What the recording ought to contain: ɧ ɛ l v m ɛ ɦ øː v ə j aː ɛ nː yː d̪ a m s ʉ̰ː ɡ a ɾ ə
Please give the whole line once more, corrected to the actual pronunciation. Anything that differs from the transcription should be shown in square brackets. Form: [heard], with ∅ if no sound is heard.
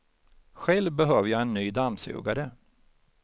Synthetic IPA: ɧ ɛ l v [b] ɛ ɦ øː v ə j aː ɛ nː yː d̪ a m s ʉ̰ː ɡ a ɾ ə

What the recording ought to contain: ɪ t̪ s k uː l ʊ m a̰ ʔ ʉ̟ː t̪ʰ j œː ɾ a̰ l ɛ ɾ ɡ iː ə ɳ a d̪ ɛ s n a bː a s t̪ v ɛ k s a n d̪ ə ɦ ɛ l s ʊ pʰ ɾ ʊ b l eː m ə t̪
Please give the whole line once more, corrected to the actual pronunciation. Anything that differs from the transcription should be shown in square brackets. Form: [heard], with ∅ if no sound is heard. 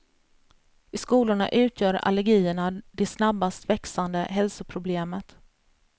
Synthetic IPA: ɪ [∅] s k uː l ʊ [ɳ] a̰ ʔ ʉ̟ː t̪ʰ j œː ɾ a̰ l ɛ ɾ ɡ iː ə ɳ a d̪ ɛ s n a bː a s t̪ v ɛ k s a n d̪ ə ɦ ɛ l s ʊ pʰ ɾ ʊ b l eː m ə t̪

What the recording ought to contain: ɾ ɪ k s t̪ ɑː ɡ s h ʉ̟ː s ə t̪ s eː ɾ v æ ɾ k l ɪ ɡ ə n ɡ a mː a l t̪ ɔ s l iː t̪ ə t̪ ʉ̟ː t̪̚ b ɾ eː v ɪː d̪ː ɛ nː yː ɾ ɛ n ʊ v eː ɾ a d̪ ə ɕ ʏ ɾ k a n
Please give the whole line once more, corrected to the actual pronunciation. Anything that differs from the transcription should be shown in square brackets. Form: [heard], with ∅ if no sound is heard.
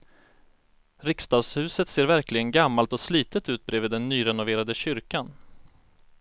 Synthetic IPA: ɾ ɪ k s t̪ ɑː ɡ s h ʉ̟ː s ə t̪ s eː ɾ v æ ɾ k l ɪ ɡ ə n ɡ a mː a l t̪ ɔ s l iː t̪ ə t̪ ʉ̟ː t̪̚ b ɾ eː v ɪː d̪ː ɛ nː yː ɾ ɛ n ʊ v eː ɾ a d̪ ə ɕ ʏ ɾ k a n

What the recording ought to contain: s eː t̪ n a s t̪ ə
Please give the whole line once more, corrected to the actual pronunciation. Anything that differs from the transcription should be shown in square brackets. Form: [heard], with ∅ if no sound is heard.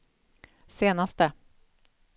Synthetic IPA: s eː [∅] n a s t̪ ə

